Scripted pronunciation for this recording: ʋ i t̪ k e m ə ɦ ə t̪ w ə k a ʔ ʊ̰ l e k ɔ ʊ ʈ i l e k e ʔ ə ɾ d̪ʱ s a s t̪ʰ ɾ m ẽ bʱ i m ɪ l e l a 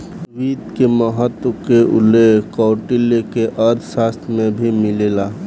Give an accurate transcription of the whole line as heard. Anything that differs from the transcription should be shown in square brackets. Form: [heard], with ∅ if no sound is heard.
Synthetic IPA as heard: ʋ i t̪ k e m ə ɦ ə t̪ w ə k [e] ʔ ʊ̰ l e k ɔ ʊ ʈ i l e k e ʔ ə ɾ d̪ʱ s a s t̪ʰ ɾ m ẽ bʱ i m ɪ l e l a